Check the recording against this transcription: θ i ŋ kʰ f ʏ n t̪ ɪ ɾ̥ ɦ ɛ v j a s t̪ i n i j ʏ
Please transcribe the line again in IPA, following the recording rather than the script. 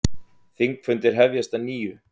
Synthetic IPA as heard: θ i ŋ k f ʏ n t̪ ɪ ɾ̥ ɦ ɛ v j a s t̪ a n iː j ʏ